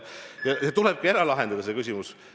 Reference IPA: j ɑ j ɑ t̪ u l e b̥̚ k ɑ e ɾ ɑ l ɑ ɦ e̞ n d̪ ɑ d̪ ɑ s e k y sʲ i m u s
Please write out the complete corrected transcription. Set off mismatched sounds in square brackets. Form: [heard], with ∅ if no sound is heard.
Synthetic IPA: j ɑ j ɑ t̪ u l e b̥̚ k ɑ e ɾ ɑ l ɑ ɦ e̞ n d̪ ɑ d̪ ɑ s e k y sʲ i m u s